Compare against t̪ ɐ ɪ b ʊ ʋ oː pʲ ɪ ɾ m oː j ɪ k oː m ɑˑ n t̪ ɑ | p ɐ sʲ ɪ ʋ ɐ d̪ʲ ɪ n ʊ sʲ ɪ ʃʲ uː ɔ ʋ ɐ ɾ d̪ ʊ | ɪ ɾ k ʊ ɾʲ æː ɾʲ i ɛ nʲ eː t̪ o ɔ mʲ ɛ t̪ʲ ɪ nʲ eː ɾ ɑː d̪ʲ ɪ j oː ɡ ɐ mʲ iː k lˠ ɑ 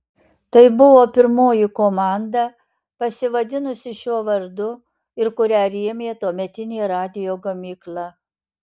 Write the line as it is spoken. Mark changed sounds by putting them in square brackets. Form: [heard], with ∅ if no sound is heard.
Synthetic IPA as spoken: t̪ ɐ ɪ b ʊ ʋ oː pʲ ɪ ɾ m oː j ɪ k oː m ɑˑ n [d̪] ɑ | p ɐ sʲ ɪ ʋ ɐ d̪ʲ ɪ n ʊ sʲ ɪ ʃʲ [u] ɔ ʋ ɐ ɾ d̪ ʊ | ɪ ɾ k ʊ ɾʲ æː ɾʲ i ɛ [mʲ] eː t̪ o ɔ mʲ ɛ t̪ʲ ɪ nʲ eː ɾ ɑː d̪ʲ ɪ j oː ɡ ɐ mʲ iː k lˠ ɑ